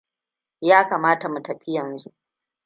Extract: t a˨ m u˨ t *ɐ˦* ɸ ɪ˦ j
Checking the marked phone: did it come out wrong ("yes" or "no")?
yes